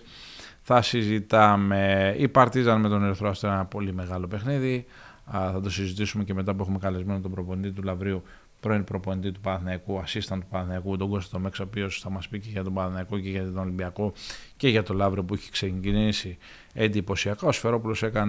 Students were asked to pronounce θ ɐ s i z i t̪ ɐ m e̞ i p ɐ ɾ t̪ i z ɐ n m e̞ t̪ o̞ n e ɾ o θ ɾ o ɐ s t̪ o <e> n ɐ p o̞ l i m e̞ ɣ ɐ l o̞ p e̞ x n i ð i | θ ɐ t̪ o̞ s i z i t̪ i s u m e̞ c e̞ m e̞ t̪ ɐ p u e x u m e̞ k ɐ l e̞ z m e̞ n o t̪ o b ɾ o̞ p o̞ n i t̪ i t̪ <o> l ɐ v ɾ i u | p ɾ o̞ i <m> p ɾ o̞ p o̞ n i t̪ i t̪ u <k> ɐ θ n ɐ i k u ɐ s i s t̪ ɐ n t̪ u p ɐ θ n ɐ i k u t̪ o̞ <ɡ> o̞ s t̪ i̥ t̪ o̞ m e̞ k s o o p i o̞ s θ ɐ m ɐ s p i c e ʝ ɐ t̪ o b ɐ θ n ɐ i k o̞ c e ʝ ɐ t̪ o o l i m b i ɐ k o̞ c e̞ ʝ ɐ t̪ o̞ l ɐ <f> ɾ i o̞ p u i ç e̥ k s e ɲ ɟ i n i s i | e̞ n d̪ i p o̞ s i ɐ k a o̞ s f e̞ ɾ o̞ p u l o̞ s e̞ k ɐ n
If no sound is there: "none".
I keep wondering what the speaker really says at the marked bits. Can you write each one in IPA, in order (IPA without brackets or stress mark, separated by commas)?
e, u, n, p, ɡ, v